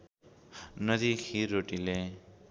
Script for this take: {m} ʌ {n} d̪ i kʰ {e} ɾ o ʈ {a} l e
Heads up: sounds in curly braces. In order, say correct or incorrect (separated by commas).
incorrect, incorrect, incorrect, incorrect